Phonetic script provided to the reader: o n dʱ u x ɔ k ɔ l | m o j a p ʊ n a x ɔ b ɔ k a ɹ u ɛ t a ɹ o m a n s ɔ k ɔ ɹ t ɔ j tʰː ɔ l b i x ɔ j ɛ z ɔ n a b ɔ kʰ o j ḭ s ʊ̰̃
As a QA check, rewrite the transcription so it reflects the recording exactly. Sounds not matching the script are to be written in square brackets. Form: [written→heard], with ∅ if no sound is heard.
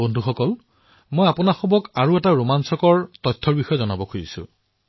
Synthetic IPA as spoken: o n dʱ u x ɔ k ɔ l | m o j a p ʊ n a x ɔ b ɔ k a ɹ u ɛ t a ɹ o m a n s ɔ k ɔ ɹ t ɔ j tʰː ɔ [l→ɹ] b i x ɔ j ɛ z ɔ n a b ɔ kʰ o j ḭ s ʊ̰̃